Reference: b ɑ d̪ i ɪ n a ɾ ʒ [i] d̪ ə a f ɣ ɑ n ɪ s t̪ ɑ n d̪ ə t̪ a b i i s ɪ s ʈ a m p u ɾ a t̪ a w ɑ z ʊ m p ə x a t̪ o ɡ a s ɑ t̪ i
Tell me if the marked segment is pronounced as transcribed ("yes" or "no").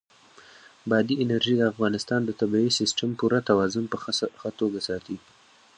yes